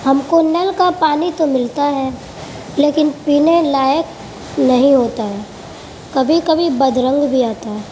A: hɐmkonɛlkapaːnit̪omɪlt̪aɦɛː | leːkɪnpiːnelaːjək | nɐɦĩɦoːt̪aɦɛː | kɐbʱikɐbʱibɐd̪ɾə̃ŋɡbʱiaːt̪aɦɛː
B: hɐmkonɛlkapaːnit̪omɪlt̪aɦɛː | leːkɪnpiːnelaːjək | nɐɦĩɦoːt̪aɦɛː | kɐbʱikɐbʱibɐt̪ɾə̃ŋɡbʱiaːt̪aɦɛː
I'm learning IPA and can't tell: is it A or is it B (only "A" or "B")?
A